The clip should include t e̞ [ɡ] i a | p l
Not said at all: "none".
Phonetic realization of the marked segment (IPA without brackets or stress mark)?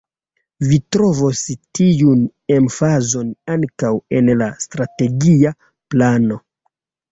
ɡ